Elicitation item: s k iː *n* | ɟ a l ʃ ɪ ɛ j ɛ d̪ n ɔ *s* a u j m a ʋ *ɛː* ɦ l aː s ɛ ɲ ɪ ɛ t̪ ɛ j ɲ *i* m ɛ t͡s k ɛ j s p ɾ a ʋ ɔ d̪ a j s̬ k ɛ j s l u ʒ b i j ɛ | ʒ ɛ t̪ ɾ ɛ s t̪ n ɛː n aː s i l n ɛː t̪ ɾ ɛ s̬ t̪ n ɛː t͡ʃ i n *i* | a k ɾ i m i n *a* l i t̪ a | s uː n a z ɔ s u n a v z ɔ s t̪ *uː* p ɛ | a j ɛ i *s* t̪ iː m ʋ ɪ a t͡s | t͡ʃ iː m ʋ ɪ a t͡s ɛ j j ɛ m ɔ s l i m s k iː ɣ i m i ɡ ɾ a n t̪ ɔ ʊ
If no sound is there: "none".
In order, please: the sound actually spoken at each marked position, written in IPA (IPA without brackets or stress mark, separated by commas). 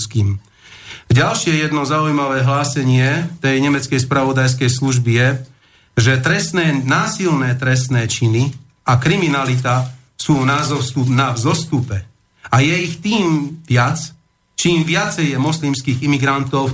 m, z, ɛː, ɛ, i, a, u, x